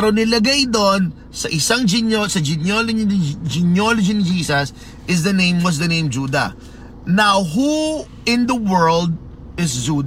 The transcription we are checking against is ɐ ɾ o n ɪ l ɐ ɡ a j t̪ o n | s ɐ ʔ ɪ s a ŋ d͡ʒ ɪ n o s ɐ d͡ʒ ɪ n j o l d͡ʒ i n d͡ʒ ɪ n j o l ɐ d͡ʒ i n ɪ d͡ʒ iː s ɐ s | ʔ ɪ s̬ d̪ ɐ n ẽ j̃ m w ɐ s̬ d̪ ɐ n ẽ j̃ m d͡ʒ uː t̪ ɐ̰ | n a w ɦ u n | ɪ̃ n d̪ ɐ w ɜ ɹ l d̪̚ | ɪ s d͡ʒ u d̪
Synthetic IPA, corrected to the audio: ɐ ɾ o n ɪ l ɐ ɡ a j d̪ o n | s ɐ ʔ ɪ s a ŋ d͡ʒ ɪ n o s ɐ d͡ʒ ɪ n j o l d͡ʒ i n d͡ʒ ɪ n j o l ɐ d͡ʒ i n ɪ d͡ʒ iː s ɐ s | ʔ ɪ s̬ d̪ ɐ n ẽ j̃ m w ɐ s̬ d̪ ɐ n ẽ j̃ m d͡ʒ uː d̪ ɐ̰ | n a w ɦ u | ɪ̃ n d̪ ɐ w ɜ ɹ l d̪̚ | ɪ s d͡ʒ u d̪